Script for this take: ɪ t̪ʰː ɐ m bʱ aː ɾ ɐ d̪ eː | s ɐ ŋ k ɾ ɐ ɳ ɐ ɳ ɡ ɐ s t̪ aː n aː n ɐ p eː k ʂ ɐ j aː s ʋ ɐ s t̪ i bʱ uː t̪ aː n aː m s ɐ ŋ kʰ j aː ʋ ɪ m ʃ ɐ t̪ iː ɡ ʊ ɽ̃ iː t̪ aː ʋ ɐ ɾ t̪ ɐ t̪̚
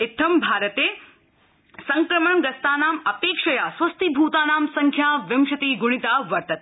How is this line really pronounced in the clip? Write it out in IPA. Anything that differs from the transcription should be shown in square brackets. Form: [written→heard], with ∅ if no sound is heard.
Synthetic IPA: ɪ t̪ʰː ɐ m bʱ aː ɾ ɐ [d̪→t̪] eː | s ɐ ŋ k ɾ ɐ [ɳ→m] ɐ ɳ ɡ ɐ s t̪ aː n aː [n→m] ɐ p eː k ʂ ɐ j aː s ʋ ɐ s t̪ i bʱ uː t̪ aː n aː m s ɐ ŋ kʰ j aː ʋ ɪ m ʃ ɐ t̪ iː ɡ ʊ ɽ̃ [iː→i] t̪ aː ʋ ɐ ɾ t̪ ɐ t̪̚